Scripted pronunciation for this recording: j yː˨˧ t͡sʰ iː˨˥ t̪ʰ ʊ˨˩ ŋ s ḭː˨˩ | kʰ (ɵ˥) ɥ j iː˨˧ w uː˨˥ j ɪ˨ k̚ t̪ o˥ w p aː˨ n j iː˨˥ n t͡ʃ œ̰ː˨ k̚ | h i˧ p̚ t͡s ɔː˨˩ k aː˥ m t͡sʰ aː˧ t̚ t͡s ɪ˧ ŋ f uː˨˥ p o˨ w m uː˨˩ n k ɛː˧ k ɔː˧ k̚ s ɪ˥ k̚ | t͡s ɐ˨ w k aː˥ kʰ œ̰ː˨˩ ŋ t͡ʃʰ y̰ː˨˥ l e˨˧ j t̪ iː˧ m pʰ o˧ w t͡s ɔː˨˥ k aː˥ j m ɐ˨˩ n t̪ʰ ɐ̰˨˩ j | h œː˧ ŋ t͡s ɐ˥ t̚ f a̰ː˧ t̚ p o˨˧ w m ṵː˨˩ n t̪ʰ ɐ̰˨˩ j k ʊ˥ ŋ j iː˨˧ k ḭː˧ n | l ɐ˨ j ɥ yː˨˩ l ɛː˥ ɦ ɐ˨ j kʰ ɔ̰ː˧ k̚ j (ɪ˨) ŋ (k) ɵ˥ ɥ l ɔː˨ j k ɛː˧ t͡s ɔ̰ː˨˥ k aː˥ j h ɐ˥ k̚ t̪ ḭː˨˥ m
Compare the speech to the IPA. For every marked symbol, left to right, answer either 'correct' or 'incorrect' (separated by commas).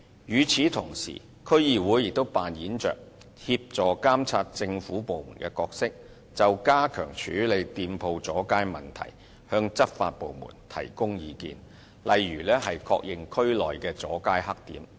correct, correct, incorrect